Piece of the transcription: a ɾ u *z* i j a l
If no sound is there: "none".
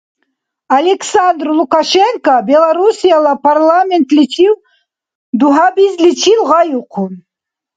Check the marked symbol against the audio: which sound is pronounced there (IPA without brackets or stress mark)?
s